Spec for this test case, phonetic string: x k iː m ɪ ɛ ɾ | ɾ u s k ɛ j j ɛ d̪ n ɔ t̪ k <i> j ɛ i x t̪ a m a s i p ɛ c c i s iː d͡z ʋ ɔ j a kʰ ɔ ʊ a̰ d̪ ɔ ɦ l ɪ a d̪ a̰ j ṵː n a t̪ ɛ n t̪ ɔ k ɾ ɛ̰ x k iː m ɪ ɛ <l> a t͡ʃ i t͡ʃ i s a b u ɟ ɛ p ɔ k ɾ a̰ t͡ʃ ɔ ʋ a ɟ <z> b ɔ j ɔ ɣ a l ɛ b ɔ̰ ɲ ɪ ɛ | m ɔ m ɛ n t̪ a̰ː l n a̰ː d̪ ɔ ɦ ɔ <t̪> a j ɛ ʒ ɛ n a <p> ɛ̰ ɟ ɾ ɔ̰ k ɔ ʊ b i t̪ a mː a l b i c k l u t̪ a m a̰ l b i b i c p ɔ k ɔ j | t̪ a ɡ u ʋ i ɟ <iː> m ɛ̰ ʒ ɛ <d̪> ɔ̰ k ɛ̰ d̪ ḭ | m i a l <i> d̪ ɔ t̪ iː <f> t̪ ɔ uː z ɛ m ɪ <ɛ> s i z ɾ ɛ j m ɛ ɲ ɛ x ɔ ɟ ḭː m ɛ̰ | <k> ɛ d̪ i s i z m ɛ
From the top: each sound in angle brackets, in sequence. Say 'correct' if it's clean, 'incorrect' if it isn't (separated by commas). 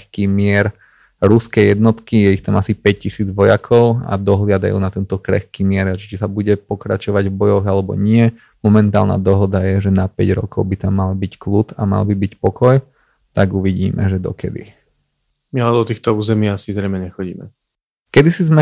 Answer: correct, incorrect, incorrect, incorrect, correct, correct, correct, incorrect, incorrect, incorrect, correct